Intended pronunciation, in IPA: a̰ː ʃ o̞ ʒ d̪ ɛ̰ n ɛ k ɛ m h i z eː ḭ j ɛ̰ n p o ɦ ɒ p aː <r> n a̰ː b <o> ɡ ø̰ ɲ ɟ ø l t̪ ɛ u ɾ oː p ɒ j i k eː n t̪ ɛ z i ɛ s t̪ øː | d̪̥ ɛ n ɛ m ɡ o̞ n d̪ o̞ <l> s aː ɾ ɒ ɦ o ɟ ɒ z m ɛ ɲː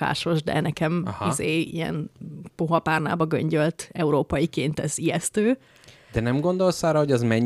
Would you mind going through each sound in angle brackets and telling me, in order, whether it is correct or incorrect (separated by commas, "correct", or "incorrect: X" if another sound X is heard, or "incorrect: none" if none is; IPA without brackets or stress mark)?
correct, incorrect: ɒ, correct